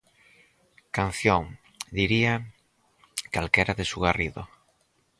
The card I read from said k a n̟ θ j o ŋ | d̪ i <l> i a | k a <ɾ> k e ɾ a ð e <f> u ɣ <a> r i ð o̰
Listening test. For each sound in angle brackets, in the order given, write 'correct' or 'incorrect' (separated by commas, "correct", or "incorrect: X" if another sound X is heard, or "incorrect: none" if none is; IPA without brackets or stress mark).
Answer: incorrect: ɾ, incorrect: l, incorrect: s, correct